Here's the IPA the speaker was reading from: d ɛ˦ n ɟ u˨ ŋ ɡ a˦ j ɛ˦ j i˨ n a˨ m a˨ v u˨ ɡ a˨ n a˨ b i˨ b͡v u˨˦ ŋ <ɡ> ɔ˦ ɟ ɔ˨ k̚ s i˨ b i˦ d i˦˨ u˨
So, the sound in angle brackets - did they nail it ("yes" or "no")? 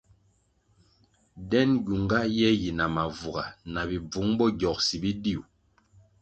no